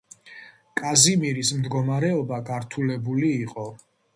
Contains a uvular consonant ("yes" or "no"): yes